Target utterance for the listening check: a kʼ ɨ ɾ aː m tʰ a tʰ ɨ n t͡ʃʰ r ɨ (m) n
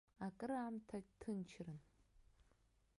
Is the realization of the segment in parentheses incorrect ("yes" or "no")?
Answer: yes